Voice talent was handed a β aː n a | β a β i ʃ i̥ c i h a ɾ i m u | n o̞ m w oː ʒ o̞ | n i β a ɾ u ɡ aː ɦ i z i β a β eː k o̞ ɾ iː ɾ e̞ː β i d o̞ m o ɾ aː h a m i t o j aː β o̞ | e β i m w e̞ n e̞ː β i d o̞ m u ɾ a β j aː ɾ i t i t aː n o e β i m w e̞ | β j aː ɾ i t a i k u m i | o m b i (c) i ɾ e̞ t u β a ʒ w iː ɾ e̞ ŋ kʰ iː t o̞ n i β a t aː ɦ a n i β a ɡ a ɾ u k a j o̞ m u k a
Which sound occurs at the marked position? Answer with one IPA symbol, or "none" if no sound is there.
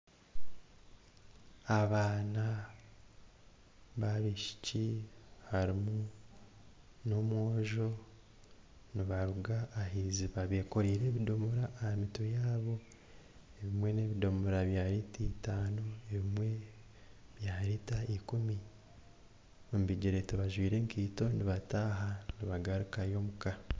ɟ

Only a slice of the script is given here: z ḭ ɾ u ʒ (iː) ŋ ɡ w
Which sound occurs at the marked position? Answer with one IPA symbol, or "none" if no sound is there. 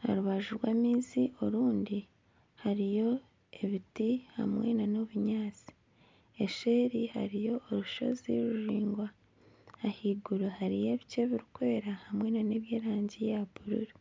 iː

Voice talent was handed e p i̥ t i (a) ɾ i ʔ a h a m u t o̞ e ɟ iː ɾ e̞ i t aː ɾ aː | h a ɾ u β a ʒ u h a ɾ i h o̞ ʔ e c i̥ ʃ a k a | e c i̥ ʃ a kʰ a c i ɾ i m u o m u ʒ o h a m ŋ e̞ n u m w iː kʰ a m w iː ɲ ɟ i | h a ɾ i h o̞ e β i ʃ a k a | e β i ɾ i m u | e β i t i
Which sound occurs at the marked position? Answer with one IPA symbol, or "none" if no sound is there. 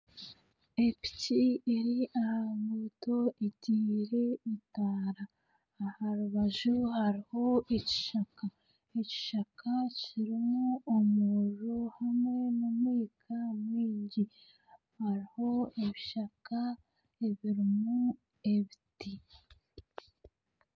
e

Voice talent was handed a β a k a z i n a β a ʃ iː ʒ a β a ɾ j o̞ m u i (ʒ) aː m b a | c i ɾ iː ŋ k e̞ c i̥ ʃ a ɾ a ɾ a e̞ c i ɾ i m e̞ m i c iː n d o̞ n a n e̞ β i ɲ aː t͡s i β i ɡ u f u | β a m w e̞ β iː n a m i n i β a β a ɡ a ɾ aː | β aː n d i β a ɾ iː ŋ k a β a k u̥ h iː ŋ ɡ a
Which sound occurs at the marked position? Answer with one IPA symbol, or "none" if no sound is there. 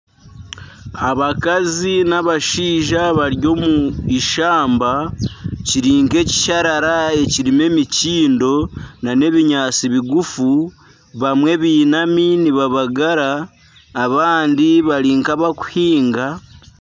ʃ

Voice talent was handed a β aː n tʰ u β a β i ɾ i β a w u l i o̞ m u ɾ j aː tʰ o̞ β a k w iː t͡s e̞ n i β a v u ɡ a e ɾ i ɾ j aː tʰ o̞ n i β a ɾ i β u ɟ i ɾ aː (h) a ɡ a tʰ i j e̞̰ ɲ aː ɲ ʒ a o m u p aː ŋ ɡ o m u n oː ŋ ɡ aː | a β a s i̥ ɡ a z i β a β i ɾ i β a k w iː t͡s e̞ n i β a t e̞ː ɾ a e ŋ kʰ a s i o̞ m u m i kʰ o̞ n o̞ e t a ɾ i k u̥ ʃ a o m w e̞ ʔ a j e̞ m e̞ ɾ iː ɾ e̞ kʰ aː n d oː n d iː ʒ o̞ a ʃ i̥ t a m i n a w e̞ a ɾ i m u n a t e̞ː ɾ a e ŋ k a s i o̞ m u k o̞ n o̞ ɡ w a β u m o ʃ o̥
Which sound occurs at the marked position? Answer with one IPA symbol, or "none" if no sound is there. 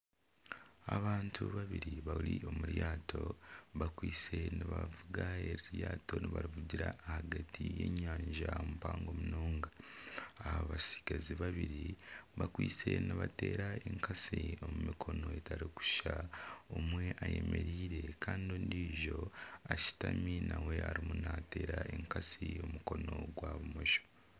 h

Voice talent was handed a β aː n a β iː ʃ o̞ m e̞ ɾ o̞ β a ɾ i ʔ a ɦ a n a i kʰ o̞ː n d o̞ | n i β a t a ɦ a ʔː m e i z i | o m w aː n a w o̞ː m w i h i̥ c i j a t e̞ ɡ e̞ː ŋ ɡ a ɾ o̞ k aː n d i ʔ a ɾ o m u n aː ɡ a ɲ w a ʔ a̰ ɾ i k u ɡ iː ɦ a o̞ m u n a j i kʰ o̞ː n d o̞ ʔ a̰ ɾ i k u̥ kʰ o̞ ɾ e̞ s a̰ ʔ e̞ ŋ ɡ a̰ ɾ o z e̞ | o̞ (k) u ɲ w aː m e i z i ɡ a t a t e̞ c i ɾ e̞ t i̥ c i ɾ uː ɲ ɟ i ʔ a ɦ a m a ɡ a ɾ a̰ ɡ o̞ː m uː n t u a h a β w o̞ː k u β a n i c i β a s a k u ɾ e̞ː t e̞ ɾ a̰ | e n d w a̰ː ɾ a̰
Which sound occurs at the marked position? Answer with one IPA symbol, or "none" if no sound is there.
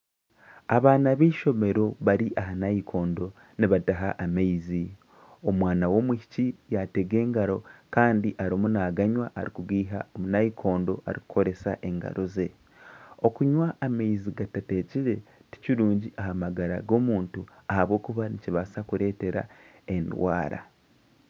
k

